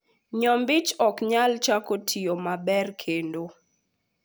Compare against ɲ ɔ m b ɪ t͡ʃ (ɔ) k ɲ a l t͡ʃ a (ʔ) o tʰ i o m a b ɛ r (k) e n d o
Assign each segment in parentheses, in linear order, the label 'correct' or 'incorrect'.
correct, incorrect: k, incorrect: kʰ

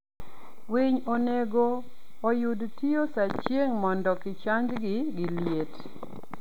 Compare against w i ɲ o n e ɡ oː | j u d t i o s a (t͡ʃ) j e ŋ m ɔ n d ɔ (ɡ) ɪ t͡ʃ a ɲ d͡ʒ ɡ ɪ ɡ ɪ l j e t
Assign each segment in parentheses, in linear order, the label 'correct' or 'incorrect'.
correct, incorrect: k

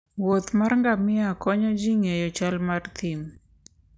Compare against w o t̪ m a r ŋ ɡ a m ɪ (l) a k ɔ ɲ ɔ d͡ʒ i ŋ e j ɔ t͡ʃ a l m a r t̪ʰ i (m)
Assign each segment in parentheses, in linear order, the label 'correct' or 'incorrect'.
incorrect: none, correct

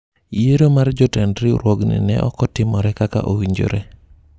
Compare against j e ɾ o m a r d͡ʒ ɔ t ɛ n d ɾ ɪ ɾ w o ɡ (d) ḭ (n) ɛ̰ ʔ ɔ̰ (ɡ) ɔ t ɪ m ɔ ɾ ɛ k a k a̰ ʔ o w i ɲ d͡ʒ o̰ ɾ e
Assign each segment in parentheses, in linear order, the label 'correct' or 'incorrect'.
incorrect: n, correct, incorrect: k

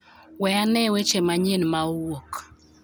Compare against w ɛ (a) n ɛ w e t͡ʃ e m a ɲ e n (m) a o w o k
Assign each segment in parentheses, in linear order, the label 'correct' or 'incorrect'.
correct, correct

